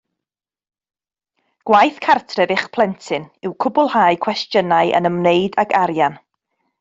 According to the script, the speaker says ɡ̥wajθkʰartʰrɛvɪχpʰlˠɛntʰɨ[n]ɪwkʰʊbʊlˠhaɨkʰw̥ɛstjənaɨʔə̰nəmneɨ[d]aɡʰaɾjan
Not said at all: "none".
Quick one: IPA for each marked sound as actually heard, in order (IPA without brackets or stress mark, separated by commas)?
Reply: n, d